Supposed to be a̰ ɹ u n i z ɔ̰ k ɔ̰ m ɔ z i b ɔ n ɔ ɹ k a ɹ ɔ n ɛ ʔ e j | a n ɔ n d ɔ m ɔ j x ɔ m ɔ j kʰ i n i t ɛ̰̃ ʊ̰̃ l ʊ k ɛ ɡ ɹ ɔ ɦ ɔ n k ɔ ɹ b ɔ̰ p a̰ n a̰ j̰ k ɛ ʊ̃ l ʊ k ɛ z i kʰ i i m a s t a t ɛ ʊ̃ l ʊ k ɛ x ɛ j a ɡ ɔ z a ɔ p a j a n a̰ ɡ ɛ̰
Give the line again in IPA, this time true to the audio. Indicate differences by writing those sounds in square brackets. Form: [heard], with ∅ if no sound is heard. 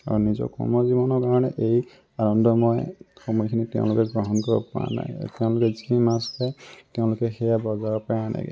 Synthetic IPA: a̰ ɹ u n i z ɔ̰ k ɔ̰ m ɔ z i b ɔ n ɔ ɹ k a ɹ ɔ n ɛ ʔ e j | a n ɔ n d ɔ m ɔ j x ɔ m ɔ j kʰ i n i t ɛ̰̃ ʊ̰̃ l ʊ k ɛ ɡ ɹ ɔ ɦ ɔ n k ɔ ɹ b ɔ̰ p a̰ n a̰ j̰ [t] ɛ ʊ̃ l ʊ k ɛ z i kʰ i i m a s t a t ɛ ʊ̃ l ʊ k ɛ x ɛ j a [b] ɔ z a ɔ p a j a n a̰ ɡ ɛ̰